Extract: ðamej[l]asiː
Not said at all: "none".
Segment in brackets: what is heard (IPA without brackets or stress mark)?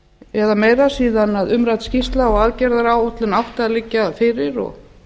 ɾ